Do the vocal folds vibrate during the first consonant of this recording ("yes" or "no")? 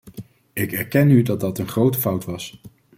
no